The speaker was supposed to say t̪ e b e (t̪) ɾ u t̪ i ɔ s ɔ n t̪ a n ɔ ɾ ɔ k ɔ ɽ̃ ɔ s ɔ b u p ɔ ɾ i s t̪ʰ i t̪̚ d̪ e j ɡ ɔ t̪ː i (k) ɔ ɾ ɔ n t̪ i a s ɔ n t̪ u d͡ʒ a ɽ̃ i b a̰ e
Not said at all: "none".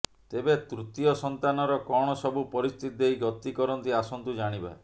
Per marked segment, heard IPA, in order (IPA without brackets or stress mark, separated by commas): t̪, k